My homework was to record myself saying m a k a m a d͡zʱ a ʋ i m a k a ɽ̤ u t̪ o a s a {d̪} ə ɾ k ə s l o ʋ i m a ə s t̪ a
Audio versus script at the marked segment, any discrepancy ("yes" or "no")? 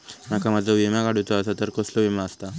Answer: yes